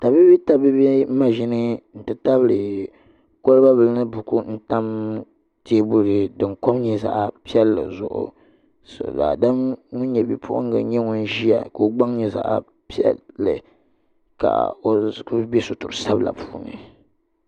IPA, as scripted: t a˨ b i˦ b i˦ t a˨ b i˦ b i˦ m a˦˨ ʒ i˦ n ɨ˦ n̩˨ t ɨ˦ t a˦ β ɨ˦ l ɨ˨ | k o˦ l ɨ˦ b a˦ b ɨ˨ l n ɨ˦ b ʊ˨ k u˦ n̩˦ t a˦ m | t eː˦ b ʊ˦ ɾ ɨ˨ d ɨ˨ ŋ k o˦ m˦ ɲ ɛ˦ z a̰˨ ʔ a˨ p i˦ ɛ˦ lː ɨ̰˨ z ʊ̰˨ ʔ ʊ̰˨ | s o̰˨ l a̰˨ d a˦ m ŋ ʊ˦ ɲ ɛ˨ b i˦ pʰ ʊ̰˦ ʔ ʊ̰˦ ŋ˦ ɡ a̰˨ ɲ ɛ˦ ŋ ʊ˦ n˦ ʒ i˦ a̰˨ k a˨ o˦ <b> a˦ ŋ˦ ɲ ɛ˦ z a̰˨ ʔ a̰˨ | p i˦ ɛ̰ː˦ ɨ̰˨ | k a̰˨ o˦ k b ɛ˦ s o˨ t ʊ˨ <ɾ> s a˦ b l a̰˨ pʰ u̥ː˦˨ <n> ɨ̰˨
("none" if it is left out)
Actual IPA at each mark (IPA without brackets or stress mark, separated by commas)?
ɡ͡b, ɾ, n